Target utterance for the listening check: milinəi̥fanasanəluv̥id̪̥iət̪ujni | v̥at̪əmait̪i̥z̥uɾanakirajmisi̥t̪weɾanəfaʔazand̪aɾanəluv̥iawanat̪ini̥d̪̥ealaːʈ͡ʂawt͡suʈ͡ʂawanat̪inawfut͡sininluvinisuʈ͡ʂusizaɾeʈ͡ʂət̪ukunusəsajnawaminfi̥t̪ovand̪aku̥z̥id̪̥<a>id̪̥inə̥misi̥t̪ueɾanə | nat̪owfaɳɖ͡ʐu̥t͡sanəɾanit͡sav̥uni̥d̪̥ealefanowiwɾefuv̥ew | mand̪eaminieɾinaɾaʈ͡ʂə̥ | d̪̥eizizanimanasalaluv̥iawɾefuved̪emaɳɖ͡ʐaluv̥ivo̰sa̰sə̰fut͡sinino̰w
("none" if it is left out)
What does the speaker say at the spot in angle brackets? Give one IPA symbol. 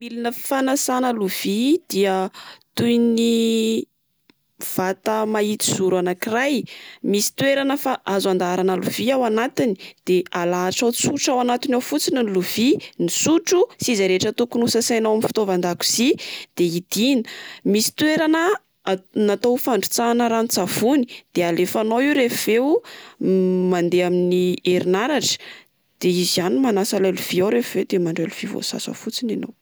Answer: e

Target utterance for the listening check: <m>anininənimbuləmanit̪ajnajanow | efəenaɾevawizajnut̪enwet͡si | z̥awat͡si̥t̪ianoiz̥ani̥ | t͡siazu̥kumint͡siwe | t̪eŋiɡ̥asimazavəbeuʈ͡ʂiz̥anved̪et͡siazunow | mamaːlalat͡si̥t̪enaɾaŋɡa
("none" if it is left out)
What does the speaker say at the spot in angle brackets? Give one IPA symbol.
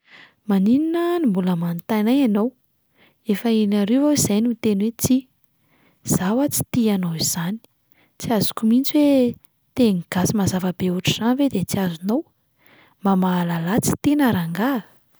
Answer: m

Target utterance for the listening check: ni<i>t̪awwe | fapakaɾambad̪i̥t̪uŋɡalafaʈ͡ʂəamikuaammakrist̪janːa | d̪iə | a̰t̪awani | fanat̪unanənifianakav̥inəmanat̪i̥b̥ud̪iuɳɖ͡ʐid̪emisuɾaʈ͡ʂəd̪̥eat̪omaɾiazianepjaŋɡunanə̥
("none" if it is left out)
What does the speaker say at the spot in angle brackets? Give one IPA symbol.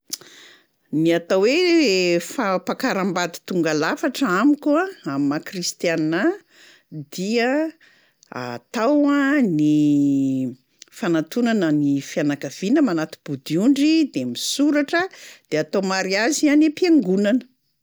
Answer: a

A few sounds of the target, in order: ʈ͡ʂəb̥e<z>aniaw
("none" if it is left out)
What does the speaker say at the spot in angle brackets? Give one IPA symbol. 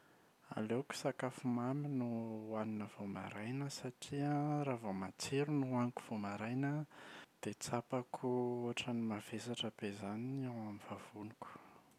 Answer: z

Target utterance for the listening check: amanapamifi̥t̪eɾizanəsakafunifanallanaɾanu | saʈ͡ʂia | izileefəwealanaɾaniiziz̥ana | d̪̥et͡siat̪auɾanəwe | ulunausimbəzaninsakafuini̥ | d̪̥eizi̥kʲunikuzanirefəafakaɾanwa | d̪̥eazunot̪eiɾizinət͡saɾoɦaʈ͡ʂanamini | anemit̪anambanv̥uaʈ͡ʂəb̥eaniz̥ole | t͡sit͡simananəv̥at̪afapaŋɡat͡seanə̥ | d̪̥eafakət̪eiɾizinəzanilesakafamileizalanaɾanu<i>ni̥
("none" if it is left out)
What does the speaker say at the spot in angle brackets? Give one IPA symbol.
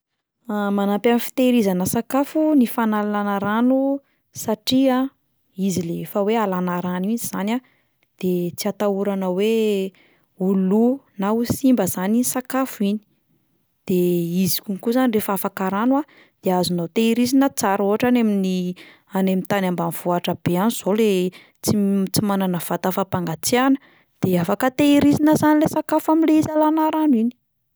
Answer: i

